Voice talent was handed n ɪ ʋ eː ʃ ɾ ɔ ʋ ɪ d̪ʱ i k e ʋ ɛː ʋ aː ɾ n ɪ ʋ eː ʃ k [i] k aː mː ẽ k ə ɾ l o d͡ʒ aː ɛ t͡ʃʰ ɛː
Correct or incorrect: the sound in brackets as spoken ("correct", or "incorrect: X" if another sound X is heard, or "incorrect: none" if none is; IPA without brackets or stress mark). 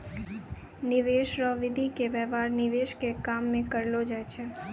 incorrect: e